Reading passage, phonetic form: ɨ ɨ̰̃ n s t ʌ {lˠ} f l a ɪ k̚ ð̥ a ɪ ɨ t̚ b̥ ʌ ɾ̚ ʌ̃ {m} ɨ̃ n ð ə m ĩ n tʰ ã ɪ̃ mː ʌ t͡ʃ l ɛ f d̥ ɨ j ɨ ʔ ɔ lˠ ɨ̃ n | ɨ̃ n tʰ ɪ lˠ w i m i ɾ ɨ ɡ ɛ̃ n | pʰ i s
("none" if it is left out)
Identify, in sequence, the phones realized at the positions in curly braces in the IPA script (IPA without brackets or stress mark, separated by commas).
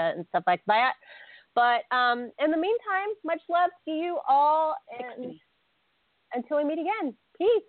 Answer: none, m